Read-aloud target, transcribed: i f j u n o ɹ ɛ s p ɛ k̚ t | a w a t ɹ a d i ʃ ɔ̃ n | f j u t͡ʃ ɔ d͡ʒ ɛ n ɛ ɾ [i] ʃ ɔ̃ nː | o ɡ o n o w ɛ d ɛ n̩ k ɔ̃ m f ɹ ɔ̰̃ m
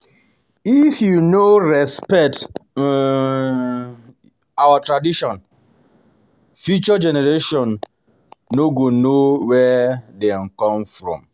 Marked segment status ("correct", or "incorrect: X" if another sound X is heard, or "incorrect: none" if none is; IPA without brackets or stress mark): incorrect: e